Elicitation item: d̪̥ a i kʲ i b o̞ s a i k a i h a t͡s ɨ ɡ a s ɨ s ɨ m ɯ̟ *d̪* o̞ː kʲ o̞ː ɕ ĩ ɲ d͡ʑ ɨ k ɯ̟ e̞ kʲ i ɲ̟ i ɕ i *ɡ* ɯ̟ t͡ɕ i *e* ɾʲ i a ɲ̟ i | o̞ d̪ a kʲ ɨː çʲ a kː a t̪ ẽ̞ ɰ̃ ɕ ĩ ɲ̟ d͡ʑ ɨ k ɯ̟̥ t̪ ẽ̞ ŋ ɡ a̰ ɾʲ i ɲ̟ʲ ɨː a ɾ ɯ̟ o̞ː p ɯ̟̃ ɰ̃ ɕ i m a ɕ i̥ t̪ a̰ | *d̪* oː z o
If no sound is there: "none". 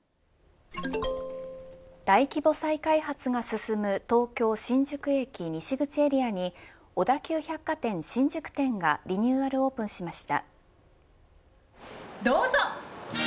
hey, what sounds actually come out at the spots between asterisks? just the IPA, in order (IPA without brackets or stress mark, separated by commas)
t̪, ɡ, e, d̪